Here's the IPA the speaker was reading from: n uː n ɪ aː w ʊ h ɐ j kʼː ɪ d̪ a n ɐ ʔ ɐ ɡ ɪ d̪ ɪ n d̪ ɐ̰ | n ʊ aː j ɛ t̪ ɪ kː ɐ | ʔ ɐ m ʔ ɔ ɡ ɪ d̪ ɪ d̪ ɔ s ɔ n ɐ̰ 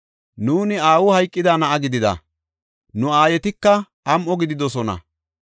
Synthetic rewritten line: n uː n ɪ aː w ʊ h ɐ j kʼː ɪ d̪ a n ɐ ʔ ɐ ɡ ɪ d̪ ɪ d̪ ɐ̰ | n ʊ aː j ɛ t̪ ɪ kː ɐ | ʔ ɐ m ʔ ɔ ɡ ɪ d̪ ɪ d̪ ɔ s ɔ n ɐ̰